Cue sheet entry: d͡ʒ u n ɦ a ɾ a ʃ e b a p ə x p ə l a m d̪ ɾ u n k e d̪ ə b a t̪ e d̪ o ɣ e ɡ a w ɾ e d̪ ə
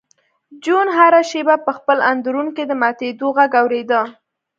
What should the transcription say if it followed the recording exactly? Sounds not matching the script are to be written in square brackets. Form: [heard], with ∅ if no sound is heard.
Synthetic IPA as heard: d͡ʒ u n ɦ a ɾ a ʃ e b a p ə x p ə l a [n] d̪ ɾ u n k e d̪ ə [m] a t̪ e d̪ o ɣ [a] ɡ a w ɾ e d̪ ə

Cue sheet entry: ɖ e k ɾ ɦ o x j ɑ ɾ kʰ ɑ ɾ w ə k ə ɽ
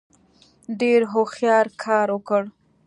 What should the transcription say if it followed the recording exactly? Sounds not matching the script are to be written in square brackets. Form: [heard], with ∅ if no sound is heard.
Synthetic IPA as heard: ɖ e [∅] ɾ ɦ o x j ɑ ɾ kʰ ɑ ɾ w ə k ə ɽ

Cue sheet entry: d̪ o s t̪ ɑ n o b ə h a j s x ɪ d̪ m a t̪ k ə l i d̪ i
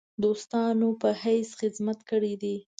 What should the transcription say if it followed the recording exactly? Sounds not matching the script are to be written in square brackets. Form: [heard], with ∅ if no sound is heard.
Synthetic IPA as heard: d̪ o s t̪ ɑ n o [p] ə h a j s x ɪ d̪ m a t̪ k ə [ɽ] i d̪ i

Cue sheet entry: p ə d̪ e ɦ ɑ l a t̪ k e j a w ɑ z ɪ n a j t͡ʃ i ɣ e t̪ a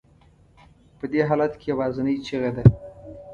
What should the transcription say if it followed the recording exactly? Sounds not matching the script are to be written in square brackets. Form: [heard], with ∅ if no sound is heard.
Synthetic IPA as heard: p ə d̪ e ɦ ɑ l a t̪ k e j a w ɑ z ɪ n [ə] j t͡ʃ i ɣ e [d̪] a

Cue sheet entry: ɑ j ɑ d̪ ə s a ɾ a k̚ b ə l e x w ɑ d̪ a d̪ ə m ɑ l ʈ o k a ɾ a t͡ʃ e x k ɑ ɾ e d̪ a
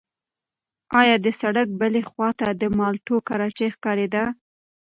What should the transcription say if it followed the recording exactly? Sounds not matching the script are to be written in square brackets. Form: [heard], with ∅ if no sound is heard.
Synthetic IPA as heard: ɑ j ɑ d̪ ə s a [ɽ] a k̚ b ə l e x w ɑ [t̪] a d̪ ə m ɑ l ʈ o k a ɾ [ɑ] t͡ʃ e x k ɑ ɾ e d̪ a

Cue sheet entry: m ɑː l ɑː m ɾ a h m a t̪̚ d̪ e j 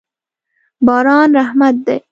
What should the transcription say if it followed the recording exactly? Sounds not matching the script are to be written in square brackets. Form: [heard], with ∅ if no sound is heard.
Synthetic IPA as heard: [b] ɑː [ɾ] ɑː [n] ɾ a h m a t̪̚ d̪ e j

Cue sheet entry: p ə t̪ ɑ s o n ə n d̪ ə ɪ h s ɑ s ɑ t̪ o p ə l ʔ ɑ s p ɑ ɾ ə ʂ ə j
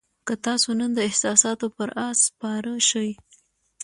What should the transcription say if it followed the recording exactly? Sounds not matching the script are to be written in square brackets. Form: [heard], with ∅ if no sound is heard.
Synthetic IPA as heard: [k] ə t̪ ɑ s o n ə n d̪ ə ɪ h s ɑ s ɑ t̪ o p ə [ɾ] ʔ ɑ s p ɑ ɾ ə [ʃ] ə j

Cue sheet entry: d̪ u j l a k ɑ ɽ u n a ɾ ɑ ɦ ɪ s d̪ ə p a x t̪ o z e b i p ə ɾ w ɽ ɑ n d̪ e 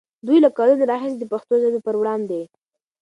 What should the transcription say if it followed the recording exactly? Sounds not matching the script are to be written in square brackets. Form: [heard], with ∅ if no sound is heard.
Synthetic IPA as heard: d̪ u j l a k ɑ [l] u n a ɾ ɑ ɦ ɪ s d̪ ə p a x t̪ o z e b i p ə ɾ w ɽ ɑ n d̪ e

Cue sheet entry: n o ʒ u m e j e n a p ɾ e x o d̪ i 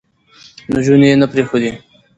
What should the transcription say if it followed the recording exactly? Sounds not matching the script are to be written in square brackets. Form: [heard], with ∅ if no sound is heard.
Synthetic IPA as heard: n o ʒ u [n] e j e n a p ɾ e x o d̪ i

